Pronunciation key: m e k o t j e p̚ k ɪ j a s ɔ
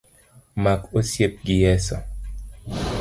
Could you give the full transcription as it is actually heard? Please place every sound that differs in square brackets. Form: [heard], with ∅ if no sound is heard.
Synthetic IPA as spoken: m [a] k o [s] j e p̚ [ɡ] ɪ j [ɛ] s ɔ